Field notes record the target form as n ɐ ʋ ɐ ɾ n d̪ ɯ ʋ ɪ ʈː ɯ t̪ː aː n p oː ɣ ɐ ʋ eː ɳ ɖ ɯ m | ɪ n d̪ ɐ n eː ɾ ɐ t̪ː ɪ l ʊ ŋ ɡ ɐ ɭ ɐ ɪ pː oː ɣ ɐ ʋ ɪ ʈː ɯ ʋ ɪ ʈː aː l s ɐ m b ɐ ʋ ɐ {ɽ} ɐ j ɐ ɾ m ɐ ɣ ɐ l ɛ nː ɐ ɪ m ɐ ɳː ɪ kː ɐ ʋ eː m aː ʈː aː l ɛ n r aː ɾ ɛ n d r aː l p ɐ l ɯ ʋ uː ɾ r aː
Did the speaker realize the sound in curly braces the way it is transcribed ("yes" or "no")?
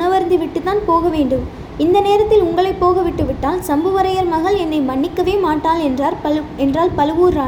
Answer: no